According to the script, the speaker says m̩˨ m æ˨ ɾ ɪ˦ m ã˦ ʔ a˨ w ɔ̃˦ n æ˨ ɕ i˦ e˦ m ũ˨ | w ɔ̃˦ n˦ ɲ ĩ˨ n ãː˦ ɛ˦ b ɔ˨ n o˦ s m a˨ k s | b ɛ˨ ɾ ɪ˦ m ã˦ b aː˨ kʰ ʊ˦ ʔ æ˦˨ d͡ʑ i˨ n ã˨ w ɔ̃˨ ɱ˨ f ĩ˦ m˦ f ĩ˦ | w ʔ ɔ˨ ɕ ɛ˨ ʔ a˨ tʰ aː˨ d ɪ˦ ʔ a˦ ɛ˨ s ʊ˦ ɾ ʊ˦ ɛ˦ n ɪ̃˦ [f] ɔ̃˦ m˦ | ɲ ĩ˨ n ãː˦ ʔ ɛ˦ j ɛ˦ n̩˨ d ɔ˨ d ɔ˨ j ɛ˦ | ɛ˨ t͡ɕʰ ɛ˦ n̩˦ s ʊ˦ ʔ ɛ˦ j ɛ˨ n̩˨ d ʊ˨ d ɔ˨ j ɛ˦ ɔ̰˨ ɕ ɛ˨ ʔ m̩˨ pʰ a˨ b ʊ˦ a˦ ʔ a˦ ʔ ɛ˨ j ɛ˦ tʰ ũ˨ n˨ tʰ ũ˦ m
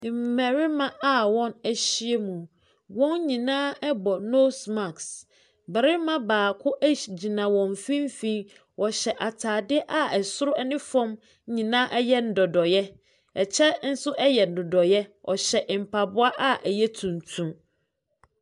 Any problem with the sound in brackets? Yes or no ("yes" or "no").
no